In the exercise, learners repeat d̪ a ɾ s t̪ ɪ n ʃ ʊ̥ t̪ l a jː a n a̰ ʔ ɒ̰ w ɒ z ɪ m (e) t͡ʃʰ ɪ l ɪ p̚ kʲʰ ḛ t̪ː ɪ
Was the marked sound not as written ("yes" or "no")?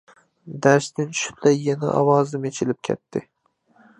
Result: no